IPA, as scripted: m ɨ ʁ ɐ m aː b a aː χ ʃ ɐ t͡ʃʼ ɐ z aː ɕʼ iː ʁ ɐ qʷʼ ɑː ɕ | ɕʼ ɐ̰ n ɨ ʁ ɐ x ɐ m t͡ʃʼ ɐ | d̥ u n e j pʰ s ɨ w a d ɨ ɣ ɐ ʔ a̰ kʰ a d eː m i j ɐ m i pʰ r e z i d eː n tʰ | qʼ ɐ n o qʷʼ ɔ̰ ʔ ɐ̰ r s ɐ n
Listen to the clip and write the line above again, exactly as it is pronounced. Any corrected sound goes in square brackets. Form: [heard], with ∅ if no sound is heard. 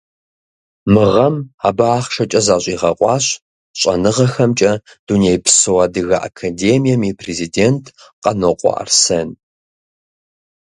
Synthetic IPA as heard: m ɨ ʁ ɐ m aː b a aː χ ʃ ɐ t͡ʃʼ ɐ z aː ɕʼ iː ʁ ɐ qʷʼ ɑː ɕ | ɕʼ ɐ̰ n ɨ ʁ ɐ x ɐ m t͡ʃʼ ɐ | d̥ u n e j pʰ s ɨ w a d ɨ ɣ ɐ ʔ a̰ kʰ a d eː m i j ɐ m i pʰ r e z i d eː n tʰ | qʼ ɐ n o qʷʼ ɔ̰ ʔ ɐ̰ r s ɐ n